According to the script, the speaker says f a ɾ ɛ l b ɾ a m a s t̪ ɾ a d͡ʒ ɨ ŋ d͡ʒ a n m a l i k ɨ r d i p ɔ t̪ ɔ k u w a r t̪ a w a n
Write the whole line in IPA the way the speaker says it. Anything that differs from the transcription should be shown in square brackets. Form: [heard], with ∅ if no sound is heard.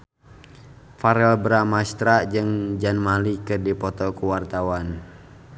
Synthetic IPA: f a ɾ ɛ l b ɾ a m a s t̪ ɾ a d͡ʒ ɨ ŋ d͡ʒ a n m a l i k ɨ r d i p ɔ t̪ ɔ k u w a r t̪ a w a n